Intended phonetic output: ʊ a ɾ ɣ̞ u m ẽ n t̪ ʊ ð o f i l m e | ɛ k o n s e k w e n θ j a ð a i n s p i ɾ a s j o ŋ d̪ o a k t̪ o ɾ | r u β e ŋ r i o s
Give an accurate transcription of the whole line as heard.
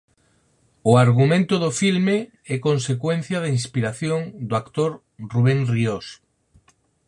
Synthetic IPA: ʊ a ɾ ɣ̞ u m ẽ n t̪ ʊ ð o f i l m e | ɛ k o n s e k w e n θ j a ð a i n s p i ɾ a θ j o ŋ d̪ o a k t̪ o ɾ | r u β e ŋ r i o s